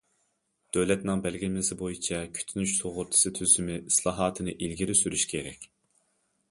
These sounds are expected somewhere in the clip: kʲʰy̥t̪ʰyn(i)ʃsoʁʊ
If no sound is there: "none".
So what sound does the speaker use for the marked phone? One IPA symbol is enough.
y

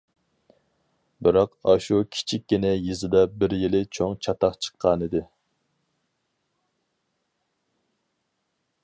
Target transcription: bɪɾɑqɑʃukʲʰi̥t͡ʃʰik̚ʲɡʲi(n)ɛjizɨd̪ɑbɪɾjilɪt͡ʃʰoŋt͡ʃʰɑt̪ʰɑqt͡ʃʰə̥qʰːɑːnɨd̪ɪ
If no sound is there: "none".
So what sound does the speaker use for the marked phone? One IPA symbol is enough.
n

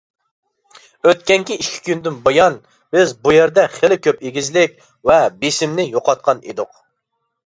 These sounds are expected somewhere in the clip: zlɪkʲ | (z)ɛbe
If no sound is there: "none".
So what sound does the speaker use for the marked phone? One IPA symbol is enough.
v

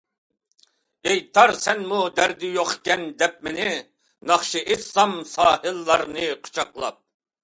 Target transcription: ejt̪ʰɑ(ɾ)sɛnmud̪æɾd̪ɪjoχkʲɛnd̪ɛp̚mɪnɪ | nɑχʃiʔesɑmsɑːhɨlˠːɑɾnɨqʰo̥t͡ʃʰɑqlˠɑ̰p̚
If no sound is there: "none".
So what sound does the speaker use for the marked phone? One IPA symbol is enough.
ɾ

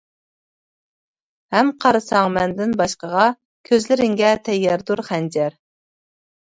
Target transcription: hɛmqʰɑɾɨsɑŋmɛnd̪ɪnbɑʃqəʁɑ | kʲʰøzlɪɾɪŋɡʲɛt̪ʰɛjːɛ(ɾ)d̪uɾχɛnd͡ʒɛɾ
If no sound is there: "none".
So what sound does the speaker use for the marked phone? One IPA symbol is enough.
ɾ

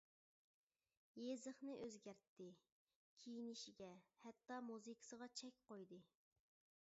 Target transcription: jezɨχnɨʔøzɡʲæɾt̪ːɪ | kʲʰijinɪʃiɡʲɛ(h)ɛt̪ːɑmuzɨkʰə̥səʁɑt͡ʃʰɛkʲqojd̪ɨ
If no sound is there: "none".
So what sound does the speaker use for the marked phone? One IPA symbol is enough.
h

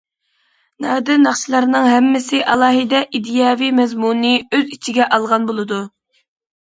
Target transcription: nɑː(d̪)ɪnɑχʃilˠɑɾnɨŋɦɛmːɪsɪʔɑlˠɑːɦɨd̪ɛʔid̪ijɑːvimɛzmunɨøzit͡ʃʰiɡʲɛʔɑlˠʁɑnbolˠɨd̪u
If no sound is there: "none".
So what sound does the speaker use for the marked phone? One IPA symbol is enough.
d̪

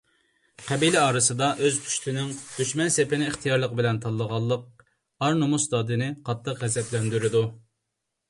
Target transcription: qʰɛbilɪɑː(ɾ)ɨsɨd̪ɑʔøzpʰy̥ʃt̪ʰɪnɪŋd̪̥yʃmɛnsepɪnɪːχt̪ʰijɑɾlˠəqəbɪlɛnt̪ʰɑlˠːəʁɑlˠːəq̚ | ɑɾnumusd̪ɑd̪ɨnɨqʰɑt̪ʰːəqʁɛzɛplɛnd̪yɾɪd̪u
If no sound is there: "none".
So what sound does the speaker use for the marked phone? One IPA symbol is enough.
ɾ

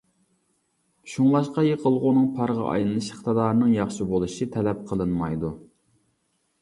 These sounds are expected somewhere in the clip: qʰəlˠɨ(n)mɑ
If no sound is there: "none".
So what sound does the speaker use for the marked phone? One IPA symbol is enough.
n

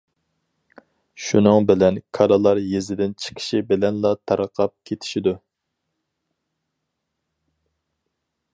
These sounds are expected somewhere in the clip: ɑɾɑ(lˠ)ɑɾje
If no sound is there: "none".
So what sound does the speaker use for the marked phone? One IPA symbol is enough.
lˠ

